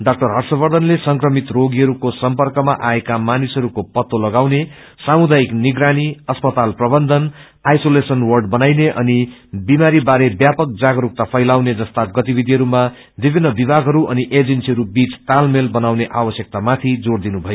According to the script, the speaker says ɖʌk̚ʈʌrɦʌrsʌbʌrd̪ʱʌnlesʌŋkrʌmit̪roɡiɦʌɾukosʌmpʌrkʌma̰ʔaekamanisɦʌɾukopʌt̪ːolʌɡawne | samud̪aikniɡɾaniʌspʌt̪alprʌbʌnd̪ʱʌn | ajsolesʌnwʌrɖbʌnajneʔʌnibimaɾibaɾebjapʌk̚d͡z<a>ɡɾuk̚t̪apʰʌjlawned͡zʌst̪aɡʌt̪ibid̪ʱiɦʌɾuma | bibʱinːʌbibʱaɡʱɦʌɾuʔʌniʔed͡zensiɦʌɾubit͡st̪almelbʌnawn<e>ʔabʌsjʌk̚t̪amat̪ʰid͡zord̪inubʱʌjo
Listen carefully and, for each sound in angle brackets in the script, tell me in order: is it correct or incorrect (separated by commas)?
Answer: correct, correct